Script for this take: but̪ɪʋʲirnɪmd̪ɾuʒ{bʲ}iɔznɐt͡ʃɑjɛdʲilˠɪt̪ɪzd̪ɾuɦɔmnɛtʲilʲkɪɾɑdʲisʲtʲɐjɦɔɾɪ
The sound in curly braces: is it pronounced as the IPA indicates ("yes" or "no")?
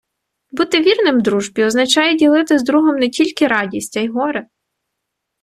yes